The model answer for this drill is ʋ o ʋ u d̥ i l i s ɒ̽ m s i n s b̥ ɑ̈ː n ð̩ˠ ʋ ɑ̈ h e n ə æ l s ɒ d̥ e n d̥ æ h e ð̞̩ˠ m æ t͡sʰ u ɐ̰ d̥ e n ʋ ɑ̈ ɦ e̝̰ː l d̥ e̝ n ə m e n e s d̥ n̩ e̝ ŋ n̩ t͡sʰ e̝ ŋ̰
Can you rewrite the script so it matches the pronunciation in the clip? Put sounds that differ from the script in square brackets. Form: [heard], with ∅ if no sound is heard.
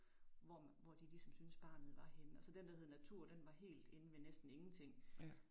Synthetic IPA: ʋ [ɒ] ʋ [ɒ] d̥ i l i s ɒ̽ m s [y] n s b̥ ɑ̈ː n ð̩ˠ ʋ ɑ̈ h e n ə æ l s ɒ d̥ e n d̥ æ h e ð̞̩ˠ [n] æ t͡sʰ u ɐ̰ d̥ e n ʋ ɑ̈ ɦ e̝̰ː l d̥ e̝ n ə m e n e s d̥ n̩ e̝ ŋ n̩ t͡sʰ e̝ ŋ̰